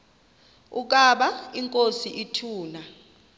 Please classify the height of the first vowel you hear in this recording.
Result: high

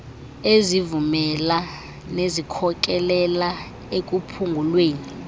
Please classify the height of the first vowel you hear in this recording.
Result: mid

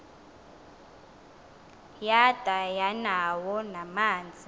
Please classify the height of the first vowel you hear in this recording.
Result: low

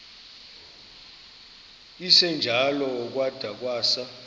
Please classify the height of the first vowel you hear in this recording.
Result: high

